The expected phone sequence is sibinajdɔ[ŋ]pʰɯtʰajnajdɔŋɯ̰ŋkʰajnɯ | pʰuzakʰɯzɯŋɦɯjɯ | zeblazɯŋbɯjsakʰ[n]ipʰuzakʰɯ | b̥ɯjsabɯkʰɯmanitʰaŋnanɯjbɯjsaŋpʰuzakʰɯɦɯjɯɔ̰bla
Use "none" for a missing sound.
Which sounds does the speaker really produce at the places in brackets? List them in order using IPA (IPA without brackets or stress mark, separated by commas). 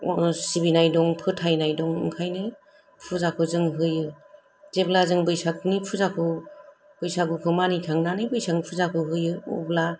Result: ŋ, n